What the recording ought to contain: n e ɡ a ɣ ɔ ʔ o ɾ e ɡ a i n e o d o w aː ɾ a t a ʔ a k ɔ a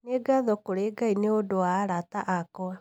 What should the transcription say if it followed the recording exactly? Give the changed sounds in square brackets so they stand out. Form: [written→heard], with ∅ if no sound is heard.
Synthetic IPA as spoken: n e ɡ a [ɣ→ð] ɔ [ʔ→k] o ɾ e ɡ a i n e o d o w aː ɾ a t a ʔ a k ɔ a